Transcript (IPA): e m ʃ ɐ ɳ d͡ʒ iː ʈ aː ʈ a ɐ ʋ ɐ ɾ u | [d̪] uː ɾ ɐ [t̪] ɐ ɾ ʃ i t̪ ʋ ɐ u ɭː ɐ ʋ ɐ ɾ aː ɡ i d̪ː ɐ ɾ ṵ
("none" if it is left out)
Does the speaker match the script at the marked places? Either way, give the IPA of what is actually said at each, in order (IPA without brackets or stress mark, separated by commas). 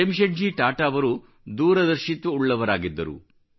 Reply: d̪, d̪